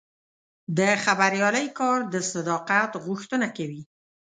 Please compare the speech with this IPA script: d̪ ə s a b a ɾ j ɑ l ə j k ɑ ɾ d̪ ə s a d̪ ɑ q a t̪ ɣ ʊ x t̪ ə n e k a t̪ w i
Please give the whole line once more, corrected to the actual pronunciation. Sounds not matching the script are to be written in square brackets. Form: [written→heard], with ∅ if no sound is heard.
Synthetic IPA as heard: d̪ ə [s→x] a b a ɾ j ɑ l ə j k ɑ ɾ d̪ ə s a d̪ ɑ q a t̪ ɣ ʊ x t̪ ə n [e→a] k a [t̪→∅] w i